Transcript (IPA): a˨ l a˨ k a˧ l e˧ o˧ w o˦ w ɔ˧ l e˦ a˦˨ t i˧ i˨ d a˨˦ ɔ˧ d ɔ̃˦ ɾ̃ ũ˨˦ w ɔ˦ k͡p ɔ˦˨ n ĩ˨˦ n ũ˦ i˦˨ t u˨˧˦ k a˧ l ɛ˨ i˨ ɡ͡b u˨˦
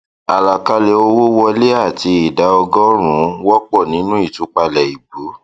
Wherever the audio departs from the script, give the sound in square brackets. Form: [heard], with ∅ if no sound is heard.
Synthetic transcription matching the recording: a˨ l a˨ k a˧ l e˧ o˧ w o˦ w ɔ˧ l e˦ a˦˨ t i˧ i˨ d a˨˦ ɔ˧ [ɡ] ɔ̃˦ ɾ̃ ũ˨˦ w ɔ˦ k͡p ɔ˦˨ n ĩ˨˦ n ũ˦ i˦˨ t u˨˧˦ [k͡p] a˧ l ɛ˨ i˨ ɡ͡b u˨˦